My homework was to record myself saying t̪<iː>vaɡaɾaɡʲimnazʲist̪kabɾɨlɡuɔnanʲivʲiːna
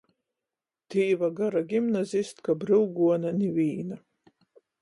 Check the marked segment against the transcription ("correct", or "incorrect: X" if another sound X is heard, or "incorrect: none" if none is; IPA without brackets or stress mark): correct